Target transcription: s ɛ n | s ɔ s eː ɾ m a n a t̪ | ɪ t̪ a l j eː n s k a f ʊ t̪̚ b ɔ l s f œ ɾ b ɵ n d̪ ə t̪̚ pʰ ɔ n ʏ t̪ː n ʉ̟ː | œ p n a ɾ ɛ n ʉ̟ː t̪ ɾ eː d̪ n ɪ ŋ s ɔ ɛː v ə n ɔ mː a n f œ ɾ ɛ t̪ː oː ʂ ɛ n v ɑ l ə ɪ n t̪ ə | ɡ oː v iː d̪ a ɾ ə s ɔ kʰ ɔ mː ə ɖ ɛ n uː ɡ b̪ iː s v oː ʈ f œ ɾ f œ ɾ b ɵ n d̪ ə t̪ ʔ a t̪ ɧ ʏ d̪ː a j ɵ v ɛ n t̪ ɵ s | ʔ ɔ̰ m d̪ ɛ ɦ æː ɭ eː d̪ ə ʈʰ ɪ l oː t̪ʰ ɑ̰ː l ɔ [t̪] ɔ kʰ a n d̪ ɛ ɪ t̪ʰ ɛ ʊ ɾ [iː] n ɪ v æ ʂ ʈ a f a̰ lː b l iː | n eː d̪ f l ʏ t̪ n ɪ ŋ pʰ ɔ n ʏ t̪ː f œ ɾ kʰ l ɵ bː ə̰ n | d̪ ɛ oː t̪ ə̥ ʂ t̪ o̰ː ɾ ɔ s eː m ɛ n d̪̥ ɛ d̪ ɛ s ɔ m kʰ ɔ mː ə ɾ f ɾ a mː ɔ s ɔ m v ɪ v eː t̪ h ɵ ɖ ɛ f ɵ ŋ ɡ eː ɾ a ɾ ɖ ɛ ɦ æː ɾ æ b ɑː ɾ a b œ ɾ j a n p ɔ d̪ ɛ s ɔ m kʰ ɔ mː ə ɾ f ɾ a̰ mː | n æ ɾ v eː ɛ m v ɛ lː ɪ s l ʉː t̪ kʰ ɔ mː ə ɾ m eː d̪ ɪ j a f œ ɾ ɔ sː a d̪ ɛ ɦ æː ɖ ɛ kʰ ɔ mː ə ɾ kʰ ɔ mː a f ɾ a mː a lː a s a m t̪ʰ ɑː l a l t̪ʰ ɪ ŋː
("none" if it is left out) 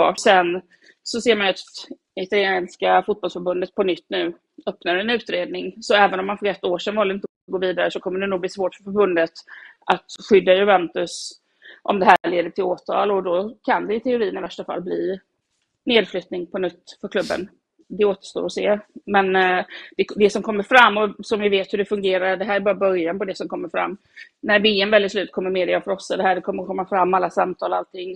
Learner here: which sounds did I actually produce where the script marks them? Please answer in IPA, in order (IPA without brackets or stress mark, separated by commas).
d̪, iː